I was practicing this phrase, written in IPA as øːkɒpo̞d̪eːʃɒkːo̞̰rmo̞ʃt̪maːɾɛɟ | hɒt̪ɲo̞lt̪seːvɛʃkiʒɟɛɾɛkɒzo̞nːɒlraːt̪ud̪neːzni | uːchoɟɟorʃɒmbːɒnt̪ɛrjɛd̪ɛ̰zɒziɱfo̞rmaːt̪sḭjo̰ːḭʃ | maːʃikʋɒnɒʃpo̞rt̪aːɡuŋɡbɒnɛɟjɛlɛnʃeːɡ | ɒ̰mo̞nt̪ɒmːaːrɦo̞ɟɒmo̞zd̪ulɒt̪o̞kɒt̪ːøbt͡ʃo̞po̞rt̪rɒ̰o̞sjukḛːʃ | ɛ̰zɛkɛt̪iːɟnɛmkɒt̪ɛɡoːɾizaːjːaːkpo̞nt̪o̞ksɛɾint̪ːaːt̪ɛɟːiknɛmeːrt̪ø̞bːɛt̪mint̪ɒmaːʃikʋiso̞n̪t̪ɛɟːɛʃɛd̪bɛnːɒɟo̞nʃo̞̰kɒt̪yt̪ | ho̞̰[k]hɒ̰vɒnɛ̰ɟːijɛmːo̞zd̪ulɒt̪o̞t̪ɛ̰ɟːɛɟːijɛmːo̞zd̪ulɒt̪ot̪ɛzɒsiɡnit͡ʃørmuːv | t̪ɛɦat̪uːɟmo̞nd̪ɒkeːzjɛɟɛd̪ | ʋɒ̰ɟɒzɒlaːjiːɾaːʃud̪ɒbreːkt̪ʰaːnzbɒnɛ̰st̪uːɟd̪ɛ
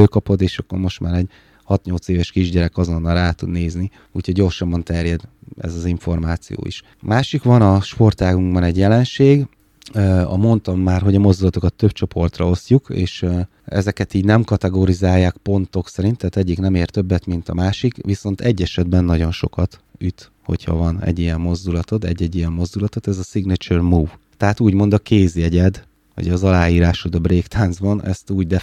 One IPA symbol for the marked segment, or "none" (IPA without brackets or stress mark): c